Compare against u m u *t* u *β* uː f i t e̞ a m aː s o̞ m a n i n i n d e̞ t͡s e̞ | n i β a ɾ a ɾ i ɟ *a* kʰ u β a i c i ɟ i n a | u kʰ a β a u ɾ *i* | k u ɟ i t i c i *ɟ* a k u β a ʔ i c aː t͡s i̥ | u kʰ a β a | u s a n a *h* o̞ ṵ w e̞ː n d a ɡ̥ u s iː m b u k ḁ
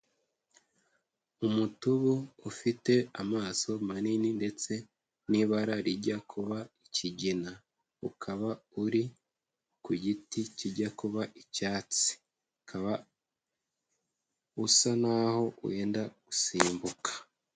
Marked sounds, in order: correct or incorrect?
correct, correct, correct, correct, correct, correct

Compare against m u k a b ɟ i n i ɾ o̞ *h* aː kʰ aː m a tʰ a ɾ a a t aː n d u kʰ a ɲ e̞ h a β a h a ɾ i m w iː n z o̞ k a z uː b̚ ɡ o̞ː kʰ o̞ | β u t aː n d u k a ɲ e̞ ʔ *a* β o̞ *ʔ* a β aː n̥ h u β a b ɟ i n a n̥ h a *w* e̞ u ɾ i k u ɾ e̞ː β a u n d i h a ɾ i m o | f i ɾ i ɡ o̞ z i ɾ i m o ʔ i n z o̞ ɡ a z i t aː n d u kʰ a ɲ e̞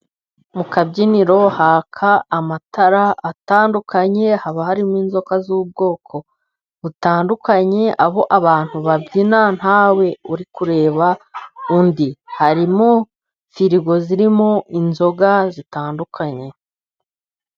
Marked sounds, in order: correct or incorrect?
correct, correct, correct, correct

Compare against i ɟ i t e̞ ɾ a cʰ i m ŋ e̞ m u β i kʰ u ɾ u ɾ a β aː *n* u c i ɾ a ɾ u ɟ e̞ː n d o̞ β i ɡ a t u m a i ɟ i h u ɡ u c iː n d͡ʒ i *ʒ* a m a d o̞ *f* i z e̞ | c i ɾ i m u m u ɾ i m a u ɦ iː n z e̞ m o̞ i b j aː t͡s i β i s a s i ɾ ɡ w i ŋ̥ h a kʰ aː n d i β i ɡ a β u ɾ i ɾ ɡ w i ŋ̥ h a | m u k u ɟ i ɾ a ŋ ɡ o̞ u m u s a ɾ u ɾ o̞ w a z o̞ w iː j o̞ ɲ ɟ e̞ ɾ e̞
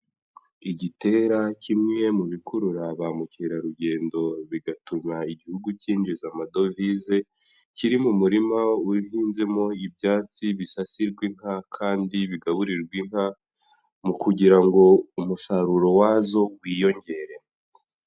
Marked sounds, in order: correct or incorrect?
incorrect, incorrect, incorrect

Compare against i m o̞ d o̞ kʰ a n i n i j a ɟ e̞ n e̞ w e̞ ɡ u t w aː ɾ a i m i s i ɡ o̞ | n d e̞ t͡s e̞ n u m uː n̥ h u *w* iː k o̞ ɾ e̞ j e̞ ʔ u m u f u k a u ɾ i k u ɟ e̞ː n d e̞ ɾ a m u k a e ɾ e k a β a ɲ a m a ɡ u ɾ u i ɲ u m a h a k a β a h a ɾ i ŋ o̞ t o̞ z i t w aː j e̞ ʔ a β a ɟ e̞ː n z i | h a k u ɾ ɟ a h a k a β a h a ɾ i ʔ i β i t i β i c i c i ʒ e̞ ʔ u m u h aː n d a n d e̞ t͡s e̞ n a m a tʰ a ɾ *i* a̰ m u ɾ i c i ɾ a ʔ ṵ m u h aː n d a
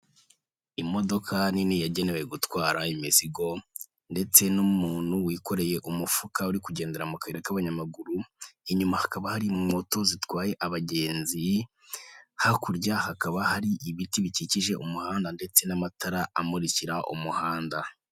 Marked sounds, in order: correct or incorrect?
correct, incorrect

